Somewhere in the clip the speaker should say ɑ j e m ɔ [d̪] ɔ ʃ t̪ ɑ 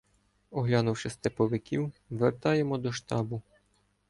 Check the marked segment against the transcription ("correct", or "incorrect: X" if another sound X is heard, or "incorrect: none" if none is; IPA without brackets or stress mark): correct